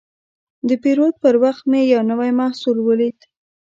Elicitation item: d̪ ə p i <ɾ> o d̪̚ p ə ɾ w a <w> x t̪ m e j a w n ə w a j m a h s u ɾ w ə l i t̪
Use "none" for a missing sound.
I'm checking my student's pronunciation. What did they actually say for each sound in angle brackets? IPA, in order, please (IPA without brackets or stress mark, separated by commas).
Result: ɾ, none